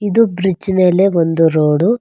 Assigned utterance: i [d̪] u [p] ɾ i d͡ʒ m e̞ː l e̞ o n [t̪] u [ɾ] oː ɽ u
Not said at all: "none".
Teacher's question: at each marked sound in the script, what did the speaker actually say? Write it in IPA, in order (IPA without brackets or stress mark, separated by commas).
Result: d̪, b, d̪, ɾ